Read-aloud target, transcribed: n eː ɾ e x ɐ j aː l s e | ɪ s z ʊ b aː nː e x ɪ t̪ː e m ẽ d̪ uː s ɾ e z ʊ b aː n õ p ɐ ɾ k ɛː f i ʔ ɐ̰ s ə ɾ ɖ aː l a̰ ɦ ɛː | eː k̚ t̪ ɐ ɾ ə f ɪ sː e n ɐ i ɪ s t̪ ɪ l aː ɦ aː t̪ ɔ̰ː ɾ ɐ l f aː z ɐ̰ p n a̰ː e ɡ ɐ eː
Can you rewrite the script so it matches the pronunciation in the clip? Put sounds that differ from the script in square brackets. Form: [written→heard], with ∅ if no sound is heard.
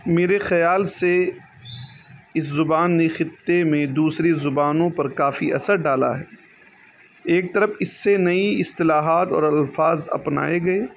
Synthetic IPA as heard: [n→m] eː ɾ e x ɐ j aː l s e | ɪ s z ʊ b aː nː e x ɪ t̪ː e m ẽ d̪ uː s ɾ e z ʊ b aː n õ p ɐ ɾ k [ɛː→aː] f i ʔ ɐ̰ s ə ɾ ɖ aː l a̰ ɦ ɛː | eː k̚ t̪ ɐ ɾ ə f ɪ sː e n ɐ i ɪ s t̪ ɪ l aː ɦ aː t̪ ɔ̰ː ɾ ɐ l f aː z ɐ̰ p n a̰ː e ɡ ɐ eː

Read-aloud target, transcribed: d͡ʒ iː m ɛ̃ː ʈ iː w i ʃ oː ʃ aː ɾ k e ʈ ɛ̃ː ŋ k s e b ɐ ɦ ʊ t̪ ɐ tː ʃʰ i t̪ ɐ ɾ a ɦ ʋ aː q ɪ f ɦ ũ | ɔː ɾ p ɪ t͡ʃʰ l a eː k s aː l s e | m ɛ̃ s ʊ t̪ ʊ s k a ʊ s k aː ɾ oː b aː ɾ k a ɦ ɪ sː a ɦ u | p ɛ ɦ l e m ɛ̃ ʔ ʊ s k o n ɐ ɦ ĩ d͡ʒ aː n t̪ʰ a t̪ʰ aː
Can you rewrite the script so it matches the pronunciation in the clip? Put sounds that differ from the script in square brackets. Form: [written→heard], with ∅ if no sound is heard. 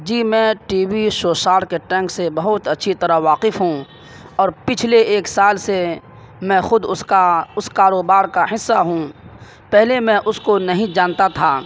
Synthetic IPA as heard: d͡ʒ iː m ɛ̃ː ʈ iː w i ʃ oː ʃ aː ɾ k e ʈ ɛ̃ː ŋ k s e b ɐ ɦ ʊ t̪ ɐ tː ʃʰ i t̪ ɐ ɾ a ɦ ʋ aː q ɪ f ɦ ũ | ɔː ɾ p ɪ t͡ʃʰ l [a→e] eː k s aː l s e | m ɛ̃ [s→x] ʊ [t̪→d̪] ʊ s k a ʊ s k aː ɾ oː b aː ɾ k a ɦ ɪ sː a ɦ [u→ũ] | p ɛ ɦ l e m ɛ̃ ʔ ʊ s k o n ɐ ɦ ĩ d͡ʒ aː n [t̪ʰ→t̪] a t̪ʰ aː

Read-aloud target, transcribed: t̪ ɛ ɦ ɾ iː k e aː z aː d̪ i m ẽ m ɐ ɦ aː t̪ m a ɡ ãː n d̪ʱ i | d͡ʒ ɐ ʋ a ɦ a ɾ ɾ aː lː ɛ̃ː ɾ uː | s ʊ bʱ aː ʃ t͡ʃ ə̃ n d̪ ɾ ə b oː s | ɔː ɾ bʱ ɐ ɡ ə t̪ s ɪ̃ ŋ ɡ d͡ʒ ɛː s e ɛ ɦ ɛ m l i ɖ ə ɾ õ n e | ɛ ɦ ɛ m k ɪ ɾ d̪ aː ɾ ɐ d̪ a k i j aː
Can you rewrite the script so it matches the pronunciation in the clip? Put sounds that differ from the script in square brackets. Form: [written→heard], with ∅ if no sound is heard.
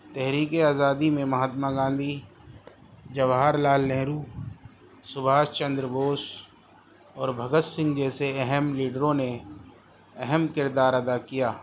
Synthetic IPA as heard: t̪ ɛ ɦ ɾ iː k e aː z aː d̪ i m ẽ m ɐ ɦ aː t̪ m a ɡ ãː n d̪ʱ i | d͡ʒ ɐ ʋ a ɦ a ɾ [ɾ→l] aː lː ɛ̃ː ɾ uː | s ʊ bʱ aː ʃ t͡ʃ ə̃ n d̪ ɾ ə b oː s | ɔː ɾ bʱ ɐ ɡ ə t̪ s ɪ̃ ŋ ɡ d͡ʒ ɛː s e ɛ ɦ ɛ m l [i→iː] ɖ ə ɾ õ n e | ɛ ɦ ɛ m k ɪ ɾ d̪ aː ɾ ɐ d̪ a k i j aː

